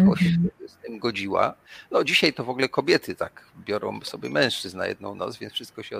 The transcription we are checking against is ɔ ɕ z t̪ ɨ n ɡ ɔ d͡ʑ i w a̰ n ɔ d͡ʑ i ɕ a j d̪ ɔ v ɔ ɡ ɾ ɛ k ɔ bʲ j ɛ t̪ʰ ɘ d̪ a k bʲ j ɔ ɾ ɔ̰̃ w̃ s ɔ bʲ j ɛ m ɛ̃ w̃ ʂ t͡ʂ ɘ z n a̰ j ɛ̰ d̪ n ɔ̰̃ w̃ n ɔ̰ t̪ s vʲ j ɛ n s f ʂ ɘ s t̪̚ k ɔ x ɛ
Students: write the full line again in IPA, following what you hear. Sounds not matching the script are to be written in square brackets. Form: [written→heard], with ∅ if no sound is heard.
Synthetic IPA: ɔ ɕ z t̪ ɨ [n→m] ɡ ɔ d͡ʑ i w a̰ n ɔ d͡ʑ i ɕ a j [d̪→t̪] ɔ v ɔ ɡ [ɾ→l] ɛ k ɔ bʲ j ɛ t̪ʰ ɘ [d̪→t̪] a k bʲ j ɔ ɾ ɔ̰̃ w̃ s ɔ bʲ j ɛ m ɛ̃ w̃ ʂ t͡ʂ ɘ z n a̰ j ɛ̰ d̪ n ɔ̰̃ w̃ n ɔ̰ t̪ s vʲ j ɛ n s f ʂ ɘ s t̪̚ k ɔ [x→ɕ] ɛ